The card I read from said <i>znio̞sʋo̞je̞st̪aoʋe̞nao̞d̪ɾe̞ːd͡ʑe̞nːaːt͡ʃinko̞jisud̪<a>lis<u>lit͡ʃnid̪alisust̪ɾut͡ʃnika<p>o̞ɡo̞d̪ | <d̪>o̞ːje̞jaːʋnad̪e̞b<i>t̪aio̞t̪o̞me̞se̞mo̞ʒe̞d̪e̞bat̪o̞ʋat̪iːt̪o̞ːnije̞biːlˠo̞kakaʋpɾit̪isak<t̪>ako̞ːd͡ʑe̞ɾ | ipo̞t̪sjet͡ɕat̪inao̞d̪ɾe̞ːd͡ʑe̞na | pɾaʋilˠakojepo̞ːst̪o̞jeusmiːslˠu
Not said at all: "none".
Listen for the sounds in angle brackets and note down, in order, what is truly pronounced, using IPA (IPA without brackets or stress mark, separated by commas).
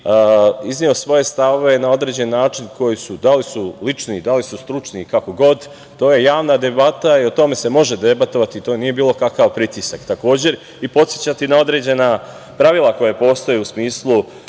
i, a, u, k, t̪, a, t̪